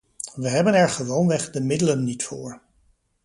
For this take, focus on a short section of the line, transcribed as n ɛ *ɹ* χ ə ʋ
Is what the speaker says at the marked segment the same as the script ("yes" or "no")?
yes